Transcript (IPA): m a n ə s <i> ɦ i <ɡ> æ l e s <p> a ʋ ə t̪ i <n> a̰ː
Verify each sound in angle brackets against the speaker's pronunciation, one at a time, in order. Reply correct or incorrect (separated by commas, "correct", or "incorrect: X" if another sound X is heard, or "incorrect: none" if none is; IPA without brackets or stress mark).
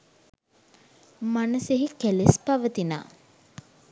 incorrect: e, incorrect: k, correct, correct